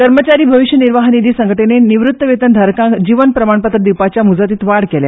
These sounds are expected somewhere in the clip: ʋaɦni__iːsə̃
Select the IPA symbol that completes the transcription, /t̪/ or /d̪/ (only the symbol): d̪